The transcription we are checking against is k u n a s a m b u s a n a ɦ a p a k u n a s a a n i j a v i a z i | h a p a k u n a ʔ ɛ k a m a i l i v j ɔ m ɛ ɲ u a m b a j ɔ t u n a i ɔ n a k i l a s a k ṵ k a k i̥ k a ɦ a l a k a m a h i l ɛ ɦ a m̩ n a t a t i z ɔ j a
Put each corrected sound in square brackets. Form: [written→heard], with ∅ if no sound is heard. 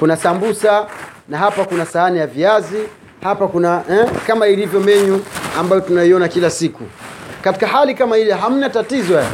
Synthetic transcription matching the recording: k u n a s a m b u s a n a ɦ a p a k u n a s a a n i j a v i a z i | h a p a k u n a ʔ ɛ k a m a i l i v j ɔ m ɛ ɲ u a m b a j ɔ t u n a i ɔ n a k i l a s [a→i] k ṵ k a [k→t] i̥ k a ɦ a l [a→i] k a m a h i l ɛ ɦ a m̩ n a t a t i z ɔ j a